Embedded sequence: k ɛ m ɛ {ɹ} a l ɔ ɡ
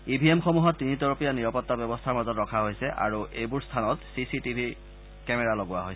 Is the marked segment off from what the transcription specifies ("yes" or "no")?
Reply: no